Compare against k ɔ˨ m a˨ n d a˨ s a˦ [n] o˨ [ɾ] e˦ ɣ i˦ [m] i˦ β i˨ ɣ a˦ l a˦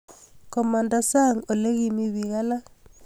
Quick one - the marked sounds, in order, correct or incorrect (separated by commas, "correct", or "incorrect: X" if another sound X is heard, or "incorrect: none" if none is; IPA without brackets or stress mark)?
incorrect: ŋ, incorrect: l, correct